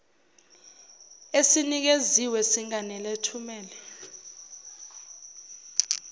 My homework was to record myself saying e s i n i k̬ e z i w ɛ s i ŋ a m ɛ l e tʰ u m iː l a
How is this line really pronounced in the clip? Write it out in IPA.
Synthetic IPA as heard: e s i n i k̬ e z i w ɛ s i ŋ a n ɛ l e tʰ u m ɛː l ɛ